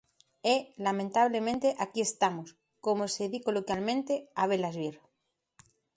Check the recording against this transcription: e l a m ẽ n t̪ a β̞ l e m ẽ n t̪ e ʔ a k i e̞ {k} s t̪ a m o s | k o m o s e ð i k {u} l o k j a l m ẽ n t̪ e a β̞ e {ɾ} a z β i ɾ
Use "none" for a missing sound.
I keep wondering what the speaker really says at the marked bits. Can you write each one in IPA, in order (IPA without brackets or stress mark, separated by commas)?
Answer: none, o, l